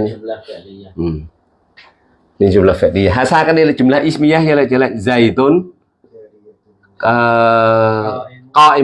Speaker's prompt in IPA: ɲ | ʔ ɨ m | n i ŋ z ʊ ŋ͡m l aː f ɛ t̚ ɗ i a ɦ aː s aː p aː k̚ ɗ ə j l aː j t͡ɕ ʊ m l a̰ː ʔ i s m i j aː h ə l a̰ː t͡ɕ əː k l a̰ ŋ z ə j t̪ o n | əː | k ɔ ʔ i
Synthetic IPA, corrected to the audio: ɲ | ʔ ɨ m | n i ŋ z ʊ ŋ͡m l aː f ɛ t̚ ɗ i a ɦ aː s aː k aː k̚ ɗ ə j l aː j t͡ɕ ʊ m l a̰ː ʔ i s m i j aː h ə l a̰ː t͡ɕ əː l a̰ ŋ z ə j t̪ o n | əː | k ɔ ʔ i